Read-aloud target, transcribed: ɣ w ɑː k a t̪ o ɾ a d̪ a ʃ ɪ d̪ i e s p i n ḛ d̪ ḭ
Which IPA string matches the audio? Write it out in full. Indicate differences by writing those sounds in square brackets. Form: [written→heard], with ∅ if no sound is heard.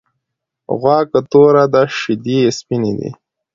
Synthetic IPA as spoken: ɣ w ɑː k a t̪ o ɾ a d̪ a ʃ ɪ d̪ i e s p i n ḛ d̪ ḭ